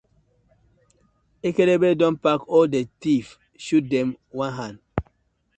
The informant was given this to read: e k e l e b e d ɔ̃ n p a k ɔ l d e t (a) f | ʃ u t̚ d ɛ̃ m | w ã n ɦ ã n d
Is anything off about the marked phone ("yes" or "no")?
yes